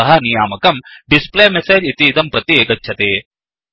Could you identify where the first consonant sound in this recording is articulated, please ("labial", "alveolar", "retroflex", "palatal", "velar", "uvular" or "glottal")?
glottal